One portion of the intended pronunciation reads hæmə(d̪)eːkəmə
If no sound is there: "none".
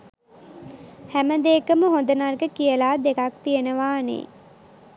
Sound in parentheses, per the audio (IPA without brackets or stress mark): d̪